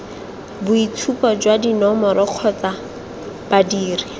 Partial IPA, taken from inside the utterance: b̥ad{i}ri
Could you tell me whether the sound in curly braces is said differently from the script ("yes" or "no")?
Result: yes